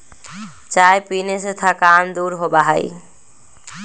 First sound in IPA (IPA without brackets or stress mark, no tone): t͡ʃ